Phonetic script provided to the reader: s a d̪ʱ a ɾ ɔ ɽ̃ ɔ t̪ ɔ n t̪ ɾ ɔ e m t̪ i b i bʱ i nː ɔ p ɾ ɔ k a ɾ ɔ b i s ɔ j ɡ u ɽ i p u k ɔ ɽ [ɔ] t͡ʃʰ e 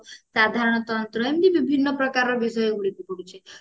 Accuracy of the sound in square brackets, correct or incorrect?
incorrect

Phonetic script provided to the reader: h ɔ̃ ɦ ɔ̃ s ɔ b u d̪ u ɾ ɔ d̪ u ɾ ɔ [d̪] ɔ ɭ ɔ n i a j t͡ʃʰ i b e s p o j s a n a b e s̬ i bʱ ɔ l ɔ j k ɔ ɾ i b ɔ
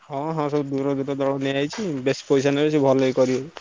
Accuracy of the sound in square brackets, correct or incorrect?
correct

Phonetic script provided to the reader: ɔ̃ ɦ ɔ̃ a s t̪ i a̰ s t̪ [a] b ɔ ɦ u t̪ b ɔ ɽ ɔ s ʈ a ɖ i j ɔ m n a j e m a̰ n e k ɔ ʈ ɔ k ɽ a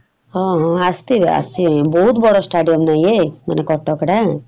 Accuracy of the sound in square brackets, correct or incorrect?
incorrect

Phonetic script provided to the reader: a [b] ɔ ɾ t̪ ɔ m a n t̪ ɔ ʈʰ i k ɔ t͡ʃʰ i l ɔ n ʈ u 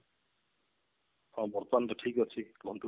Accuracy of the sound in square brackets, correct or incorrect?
correct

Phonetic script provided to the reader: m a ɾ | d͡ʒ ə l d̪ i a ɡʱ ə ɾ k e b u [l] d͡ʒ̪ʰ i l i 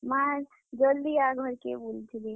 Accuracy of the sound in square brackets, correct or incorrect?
correct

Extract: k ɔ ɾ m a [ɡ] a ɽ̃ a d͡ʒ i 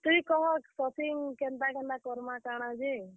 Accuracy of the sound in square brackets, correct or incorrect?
incorrect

